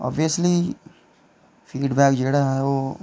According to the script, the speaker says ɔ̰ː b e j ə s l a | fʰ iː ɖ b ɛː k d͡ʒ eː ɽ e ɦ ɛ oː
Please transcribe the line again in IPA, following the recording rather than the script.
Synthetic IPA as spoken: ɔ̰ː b i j ə s l i | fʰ iː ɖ b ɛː k d͡ʒ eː ɽ a ɦ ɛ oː